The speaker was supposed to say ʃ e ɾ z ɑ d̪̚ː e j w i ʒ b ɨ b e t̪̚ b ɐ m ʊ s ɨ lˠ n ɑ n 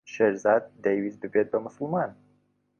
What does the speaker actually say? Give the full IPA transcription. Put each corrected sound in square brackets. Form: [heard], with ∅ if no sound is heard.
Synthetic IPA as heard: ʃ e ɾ z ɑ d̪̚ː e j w i [z] b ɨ b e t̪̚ b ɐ m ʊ s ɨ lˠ [m] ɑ n